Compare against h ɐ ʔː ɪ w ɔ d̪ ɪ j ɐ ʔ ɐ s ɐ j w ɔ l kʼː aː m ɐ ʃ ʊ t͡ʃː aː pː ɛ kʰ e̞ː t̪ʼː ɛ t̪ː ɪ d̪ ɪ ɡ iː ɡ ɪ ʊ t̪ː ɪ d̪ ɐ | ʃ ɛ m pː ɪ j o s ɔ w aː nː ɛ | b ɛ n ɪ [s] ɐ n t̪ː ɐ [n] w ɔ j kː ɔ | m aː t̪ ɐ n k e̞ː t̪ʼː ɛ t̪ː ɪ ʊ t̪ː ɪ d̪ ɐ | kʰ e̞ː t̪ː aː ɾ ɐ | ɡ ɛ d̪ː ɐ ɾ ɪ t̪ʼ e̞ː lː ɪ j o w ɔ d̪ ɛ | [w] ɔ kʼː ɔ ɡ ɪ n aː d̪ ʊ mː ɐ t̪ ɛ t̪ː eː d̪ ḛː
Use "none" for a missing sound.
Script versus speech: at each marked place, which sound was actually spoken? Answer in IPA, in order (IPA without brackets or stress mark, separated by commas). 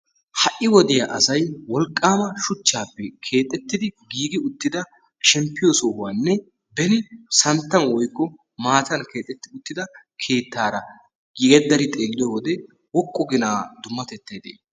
s, n, w